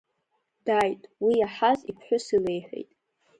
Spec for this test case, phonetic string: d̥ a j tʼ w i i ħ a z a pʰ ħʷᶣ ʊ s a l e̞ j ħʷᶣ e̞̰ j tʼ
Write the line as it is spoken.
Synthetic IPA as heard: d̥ a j tʼ w i a ħ a z i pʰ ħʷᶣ ʊ s i l e̞ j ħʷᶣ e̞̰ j tʼ